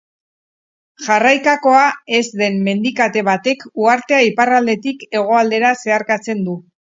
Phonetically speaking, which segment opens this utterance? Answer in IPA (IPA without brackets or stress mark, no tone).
ʝ